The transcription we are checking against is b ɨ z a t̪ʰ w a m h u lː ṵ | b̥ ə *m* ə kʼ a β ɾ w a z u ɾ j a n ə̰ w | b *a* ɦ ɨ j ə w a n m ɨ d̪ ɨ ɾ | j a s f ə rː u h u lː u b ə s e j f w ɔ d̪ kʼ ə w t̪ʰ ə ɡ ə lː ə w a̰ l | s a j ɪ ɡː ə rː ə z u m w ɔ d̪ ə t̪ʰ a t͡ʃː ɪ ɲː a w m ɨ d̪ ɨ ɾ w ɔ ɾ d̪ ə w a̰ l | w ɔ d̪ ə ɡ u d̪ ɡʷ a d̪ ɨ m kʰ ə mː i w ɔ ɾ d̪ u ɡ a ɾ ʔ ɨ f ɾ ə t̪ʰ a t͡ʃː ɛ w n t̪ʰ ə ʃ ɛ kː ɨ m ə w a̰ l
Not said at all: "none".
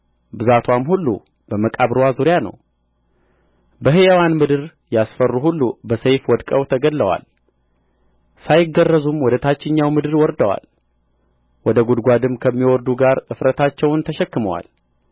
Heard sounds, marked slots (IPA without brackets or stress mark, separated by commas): m, ə